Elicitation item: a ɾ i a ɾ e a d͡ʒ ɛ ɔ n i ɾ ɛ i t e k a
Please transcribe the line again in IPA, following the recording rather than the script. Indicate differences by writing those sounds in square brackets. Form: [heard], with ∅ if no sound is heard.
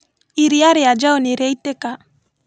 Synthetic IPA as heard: [i] ɾ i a ɾ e a d͡ʒ [a] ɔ n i ɾ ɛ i t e k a